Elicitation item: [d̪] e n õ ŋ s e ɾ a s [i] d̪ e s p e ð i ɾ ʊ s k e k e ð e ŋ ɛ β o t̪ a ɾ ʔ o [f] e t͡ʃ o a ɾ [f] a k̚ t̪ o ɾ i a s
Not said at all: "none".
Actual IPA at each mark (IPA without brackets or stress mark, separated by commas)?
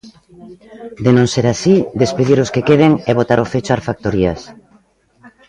d̪, i, f, f